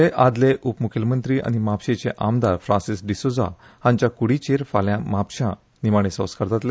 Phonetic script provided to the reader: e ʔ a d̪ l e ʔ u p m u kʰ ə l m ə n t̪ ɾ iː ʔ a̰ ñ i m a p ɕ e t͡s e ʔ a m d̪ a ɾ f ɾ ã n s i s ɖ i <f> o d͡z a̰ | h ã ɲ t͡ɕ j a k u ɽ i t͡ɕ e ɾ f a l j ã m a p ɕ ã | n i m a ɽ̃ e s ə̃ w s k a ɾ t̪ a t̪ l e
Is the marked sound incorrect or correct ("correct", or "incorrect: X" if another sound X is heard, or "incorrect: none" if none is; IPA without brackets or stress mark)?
incorrect: s